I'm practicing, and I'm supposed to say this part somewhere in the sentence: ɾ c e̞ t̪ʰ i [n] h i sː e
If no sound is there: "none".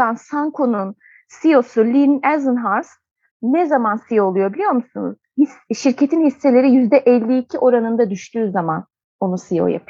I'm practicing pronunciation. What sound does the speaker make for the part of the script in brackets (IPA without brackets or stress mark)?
n